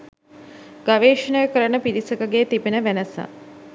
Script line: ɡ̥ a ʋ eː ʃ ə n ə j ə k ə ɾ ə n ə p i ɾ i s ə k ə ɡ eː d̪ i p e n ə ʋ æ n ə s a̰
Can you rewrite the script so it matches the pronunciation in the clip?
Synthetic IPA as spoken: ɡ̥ a ʋ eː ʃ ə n ə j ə k ə ɾ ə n ə p i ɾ i s ə k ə ɡ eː t̪ i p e n ə ʋ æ n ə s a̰